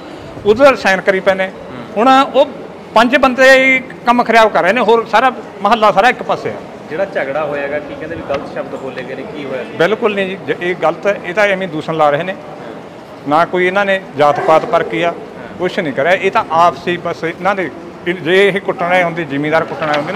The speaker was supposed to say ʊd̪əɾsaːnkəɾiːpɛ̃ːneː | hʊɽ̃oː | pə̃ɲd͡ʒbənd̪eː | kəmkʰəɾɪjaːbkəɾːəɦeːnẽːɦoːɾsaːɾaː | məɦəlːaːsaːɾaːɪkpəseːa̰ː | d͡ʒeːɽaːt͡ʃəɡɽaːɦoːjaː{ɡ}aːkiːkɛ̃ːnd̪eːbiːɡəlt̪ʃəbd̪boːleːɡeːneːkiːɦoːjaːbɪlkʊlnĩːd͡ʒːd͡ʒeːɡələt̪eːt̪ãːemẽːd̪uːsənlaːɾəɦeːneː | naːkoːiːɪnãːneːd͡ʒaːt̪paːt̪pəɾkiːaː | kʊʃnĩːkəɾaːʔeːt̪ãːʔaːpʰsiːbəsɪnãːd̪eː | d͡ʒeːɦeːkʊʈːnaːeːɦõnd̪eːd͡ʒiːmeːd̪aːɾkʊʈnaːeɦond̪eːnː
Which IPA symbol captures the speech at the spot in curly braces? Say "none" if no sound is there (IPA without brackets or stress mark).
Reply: ɡ